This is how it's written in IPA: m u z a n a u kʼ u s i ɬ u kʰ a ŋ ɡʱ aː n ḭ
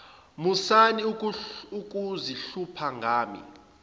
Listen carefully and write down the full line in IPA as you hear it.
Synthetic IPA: m u s a n i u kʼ u z i ɬ u pʰ a ŋ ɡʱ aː m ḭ